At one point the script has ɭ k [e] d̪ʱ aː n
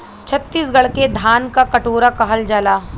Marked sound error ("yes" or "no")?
no